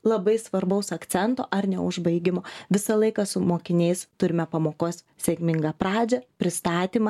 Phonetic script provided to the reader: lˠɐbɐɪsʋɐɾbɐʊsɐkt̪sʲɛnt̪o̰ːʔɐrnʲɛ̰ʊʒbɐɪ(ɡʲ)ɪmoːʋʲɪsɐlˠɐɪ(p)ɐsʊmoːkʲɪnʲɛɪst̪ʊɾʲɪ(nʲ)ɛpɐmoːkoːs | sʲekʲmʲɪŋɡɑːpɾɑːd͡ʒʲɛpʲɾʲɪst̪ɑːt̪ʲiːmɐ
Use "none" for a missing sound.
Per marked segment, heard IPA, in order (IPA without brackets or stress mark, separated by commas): ɡʲ, k, mʲ